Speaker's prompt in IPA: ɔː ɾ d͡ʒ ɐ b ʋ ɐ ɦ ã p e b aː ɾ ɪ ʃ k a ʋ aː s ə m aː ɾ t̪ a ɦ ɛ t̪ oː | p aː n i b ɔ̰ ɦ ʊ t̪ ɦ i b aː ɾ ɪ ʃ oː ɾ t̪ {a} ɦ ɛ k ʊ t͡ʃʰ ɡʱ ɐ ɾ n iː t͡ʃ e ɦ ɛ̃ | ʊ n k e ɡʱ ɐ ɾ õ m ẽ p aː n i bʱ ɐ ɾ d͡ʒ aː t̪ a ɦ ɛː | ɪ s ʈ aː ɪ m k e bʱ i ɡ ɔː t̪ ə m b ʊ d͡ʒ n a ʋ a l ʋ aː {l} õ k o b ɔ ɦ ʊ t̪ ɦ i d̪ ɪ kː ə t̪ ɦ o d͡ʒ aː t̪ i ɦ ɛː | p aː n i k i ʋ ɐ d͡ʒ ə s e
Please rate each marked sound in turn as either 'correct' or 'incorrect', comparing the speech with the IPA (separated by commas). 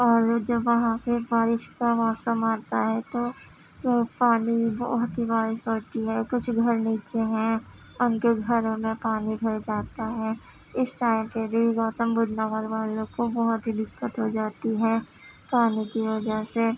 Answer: incorrect, correct